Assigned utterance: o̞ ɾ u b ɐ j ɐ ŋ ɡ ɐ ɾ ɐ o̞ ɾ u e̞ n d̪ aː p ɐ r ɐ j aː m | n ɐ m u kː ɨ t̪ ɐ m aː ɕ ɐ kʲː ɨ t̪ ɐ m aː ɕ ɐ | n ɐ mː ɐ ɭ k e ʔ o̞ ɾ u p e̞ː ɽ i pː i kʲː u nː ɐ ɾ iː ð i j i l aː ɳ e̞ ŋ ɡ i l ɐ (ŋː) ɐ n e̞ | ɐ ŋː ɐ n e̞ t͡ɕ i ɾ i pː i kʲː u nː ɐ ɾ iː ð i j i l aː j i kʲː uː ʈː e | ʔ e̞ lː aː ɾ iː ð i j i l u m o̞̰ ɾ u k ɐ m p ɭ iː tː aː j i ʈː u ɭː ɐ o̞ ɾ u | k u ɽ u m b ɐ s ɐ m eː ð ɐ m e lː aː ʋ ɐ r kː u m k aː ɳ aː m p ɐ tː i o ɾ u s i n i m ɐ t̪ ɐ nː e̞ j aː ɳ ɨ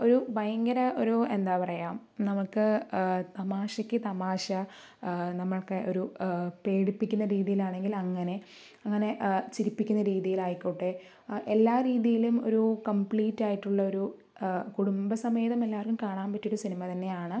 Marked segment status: correct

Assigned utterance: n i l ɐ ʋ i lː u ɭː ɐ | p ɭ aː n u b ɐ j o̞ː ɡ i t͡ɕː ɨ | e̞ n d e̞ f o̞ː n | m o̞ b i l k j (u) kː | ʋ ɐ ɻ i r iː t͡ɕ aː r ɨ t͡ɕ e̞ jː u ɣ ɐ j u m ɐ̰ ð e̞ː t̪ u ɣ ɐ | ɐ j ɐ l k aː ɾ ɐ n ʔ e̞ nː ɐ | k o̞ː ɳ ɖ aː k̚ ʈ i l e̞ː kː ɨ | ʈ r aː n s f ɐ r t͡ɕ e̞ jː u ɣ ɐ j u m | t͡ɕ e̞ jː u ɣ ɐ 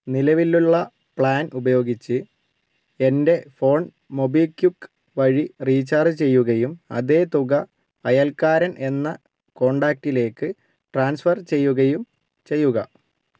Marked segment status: correct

